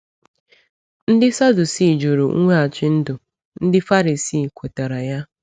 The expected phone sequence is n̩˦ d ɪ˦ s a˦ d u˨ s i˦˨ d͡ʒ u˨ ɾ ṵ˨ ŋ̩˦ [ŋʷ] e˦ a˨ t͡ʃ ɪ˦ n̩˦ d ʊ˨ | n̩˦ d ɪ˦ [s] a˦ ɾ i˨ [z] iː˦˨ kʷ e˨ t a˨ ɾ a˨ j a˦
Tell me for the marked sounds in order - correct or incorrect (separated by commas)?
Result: correct, incorrect, incorrect